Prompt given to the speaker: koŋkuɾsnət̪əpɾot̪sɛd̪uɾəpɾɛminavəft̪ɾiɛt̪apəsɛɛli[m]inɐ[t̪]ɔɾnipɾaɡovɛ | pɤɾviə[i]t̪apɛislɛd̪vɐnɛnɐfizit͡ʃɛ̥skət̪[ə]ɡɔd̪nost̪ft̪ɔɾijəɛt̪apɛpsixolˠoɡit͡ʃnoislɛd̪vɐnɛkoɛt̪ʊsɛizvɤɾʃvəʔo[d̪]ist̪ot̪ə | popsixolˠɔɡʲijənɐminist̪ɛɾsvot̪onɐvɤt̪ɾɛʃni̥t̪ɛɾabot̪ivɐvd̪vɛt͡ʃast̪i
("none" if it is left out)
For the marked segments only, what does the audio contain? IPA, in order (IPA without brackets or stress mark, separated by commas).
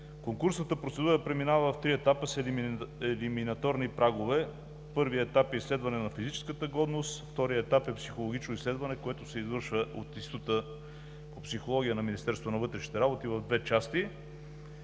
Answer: m, t̪, ɛ, ə, t̪